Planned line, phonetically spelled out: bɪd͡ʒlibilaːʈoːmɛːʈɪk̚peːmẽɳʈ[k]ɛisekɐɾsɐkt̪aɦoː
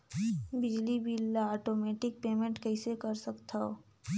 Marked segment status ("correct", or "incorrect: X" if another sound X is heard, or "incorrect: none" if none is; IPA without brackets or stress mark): correct